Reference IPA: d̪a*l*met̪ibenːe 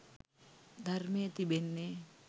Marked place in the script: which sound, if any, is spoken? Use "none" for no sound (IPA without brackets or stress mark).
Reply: r